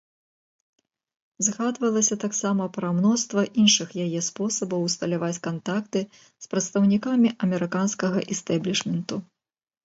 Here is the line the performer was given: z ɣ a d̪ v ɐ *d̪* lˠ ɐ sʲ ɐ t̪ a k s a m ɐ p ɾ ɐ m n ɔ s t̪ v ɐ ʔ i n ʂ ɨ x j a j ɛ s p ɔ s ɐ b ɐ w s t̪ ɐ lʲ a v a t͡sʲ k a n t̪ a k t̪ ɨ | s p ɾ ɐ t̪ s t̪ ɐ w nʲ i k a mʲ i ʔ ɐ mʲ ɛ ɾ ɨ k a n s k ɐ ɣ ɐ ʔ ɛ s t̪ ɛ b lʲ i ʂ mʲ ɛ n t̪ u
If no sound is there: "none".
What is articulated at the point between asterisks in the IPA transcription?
none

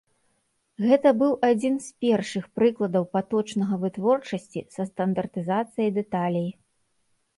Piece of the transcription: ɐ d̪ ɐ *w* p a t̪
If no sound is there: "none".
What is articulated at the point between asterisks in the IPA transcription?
w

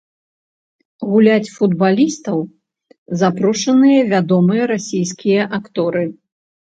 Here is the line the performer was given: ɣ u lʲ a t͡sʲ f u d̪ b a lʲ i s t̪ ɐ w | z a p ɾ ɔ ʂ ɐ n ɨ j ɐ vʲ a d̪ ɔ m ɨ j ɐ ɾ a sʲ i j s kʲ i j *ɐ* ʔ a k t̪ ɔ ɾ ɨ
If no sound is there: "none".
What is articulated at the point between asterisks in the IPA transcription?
ɐ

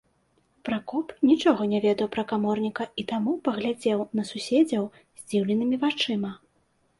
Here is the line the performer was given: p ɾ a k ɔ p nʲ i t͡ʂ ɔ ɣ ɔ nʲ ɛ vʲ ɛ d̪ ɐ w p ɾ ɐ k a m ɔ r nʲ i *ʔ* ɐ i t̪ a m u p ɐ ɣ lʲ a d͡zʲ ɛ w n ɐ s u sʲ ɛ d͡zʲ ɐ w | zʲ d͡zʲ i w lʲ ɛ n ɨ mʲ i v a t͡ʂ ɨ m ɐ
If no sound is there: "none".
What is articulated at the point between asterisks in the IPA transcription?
k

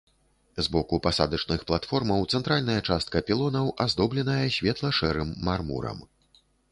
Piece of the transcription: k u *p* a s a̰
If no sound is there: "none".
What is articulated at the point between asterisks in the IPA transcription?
p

